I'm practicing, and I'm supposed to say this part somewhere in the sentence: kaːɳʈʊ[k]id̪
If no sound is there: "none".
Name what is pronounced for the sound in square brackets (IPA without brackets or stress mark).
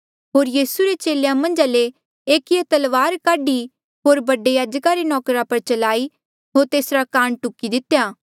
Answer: k